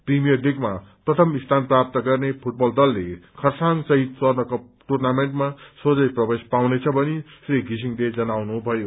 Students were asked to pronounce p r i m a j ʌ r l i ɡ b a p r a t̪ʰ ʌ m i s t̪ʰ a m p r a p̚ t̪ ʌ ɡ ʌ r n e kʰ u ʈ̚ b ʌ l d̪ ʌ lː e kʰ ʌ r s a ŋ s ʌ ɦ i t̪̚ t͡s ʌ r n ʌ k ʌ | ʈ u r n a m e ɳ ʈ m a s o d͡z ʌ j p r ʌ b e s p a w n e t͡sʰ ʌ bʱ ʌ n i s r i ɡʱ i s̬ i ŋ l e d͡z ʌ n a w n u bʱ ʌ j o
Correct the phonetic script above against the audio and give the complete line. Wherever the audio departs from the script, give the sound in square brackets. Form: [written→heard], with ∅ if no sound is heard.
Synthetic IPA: p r i m [a→i] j ʌ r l i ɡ [b→m] a p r [a→ʌ] t̪ʰ ʌ m i s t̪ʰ a [m→n] p r a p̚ t̪ ʌ ɡ ʌ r n e [kʰ→pʰ] u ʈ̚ b ʌ l d̪ ʌ lː e kʰ ʌ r s a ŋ s ʌ ɦ i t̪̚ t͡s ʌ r n ʌ k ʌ | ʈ u r n a m e ɳ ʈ m a s o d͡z ʌ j p r ʌ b e s p a w n e t͡sʰ ʌ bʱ ʌ n i s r i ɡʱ i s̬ i ŋ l e d͡z ʌ n a w n u bʱ ʌ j o